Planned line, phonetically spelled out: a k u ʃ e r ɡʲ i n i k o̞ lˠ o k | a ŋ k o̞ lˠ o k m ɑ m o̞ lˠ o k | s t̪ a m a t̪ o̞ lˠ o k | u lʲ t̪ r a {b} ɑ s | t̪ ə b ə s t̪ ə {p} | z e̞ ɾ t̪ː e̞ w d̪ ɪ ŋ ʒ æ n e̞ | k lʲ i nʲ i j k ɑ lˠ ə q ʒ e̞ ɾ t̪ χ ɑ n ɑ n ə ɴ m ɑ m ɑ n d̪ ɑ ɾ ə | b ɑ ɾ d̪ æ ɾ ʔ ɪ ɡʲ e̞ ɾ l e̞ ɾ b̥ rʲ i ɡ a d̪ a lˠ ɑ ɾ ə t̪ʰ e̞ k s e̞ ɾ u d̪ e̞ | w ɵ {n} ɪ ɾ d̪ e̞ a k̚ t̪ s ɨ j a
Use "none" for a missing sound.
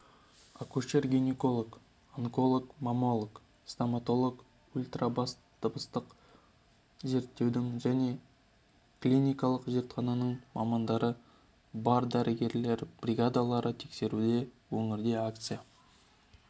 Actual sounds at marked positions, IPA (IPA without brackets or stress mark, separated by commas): b, q, ŋ